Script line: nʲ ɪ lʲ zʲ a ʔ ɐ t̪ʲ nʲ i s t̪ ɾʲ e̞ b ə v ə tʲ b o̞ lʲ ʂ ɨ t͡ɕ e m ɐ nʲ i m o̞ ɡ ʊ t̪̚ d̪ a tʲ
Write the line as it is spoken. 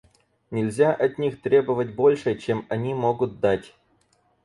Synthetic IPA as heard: nʲ ɪ lʲ zʲ a ʔ ɐ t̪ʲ nʲ i x t̪ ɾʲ e̞ b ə v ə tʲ b o̞ lʲ ʂ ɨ t͡ɕ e m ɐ nʲ i m o̞ ɡ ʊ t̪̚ d̪ a tʲ